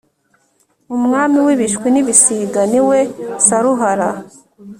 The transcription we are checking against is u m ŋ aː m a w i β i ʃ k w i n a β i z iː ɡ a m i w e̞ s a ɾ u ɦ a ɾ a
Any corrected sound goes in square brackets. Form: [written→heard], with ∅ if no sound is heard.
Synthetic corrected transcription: u m ŋ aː m [a→i] w i β i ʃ k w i n [a→i] β i [z→s] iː ɡ a [m→n] i w e̞ s a ɾ u ɦ a ɾ a